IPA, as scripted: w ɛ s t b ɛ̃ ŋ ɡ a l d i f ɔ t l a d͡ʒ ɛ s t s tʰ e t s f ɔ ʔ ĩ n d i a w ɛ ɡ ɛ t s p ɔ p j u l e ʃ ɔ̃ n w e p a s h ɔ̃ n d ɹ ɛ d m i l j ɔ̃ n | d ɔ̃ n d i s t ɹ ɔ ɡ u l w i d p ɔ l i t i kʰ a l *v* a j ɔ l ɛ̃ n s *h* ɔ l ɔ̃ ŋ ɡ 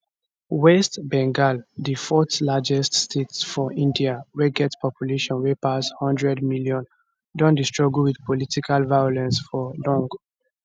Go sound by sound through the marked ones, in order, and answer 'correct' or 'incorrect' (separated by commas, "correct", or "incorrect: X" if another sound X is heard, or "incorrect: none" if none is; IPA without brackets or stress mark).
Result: correct, incorrect: f